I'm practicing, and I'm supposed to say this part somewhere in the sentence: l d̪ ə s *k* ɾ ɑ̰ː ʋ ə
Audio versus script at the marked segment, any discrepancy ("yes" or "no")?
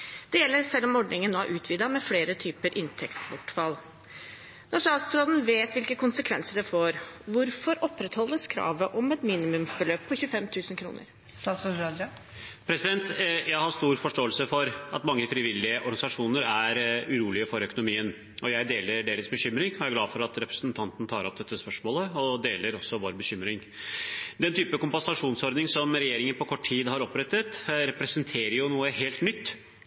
yes